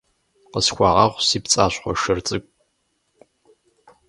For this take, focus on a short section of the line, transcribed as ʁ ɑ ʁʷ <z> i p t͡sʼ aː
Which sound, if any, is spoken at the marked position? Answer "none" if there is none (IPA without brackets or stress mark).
s